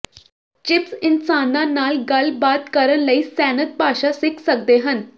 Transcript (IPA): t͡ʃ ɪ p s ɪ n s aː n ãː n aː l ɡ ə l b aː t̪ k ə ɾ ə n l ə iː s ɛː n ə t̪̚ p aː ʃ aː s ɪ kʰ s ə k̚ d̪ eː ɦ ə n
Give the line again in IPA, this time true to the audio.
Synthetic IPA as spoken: t͡ʃ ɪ p s ɪ n s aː n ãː n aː l ɡ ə l b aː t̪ k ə ɾ ə n l ə iː s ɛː n ə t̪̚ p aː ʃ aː s ɪ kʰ s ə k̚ d̪ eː ɦ ə n